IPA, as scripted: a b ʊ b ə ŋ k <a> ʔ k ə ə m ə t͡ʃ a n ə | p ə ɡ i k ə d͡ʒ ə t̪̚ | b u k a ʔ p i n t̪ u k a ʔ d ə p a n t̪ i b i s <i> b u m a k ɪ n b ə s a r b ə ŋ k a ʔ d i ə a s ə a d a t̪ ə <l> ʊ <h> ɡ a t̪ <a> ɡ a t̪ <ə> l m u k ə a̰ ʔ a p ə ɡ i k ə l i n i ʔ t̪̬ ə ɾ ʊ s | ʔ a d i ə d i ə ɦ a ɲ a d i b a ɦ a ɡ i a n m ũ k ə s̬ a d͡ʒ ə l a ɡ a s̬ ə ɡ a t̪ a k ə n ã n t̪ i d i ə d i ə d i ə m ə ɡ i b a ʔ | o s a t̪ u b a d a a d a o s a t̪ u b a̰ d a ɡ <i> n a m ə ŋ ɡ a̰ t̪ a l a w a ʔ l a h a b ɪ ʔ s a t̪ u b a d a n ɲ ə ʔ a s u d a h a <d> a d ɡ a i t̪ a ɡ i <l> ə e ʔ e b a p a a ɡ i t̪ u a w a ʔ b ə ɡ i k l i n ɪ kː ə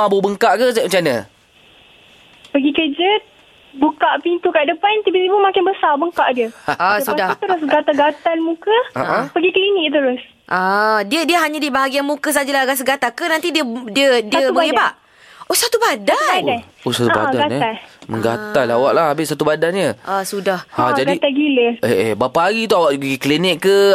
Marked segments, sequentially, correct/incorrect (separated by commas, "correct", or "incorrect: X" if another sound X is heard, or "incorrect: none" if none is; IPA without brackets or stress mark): correct, correct, incorrect: ɾ, incorrect: s, correct, incorrect: a, incorrect: a, incorrect: d͡ʒ, correct